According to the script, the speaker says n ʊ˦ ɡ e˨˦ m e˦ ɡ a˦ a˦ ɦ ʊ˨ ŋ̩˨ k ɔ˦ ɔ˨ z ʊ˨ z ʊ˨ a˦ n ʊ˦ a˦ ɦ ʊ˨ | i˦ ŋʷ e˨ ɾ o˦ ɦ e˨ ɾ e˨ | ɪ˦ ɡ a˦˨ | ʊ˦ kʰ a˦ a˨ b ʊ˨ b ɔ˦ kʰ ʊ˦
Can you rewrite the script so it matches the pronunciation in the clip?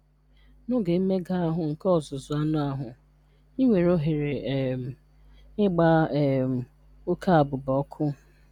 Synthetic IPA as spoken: n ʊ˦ ɡ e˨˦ m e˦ ɡ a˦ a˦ ɦ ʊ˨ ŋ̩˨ k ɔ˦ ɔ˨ z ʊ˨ z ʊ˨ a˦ n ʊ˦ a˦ ɦ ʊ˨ | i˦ ŋʷ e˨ ɾ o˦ ɦ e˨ ɾ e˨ | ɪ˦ ɡ͡b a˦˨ | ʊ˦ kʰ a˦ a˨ b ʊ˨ b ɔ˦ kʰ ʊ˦